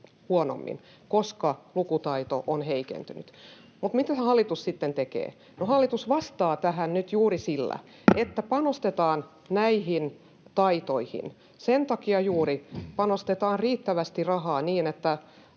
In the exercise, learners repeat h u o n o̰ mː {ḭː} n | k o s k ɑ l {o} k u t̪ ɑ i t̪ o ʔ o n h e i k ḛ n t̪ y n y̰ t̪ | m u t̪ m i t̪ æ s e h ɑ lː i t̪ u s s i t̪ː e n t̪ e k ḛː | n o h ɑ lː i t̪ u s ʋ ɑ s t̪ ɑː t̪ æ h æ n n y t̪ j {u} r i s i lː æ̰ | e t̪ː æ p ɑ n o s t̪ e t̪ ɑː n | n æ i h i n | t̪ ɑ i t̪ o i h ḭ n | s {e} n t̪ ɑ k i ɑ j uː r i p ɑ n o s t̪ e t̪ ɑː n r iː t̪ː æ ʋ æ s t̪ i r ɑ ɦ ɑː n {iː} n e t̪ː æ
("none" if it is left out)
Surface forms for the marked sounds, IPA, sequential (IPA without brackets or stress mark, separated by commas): ḭ, u, uː, e, iː